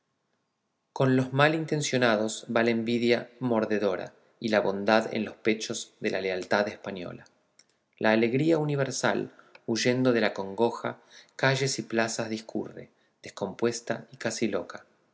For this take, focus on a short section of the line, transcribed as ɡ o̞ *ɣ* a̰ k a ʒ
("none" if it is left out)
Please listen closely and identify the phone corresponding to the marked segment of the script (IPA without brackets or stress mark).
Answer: x